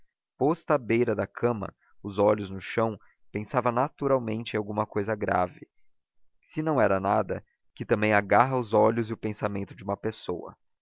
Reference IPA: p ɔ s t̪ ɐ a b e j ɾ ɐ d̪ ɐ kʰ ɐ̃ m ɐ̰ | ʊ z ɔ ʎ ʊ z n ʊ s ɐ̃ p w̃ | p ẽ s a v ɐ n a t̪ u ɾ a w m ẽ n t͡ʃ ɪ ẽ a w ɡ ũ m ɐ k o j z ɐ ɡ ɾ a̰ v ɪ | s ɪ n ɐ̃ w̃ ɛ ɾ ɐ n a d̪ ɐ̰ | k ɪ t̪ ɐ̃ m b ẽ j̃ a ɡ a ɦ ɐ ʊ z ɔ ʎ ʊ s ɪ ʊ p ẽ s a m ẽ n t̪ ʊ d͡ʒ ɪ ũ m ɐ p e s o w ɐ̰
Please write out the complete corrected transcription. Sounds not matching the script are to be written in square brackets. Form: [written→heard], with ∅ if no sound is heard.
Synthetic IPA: p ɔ s t̪ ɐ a b e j ɾ ɐ d̪ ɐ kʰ ɐ̃ m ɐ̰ | ʊ z ɔ ʎ ʊ z n ʊ [s→ʃ] ɐ̃ [p→∅] w̃ | p ẽ s a v ɐ n a t̪ u ɾ a w m ẽ n t͡ʃ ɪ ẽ a w ɡ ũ m ɐ k o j z ɐ ɡ ɾ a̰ v ɪ | s ɪ n ɐ̃ w̃ ɛ ɾ ɐ n a d̪ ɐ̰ | k ɪ t̪ ɐ̃ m b ẽ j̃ a ɡ a ɦ ɐ ʊ z ɔ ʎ ʊ [s→z] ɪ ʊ p ẽ s a m ẽ n t̪ ʊ d͡ʒ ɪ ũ m ɐ p e s o w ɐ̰